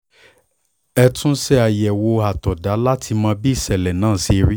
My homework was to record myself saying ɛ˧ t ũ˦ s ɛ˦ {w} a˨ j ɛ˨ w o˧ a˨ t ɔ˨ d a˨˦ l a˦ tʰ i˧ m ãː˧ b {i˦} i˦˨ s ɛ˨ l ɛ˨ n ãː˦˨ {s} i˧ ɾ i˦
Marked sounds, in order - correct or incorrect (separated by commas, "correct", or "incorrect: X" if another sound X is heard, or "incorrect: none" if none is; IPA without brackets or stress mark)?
incorrect: none, correct, correct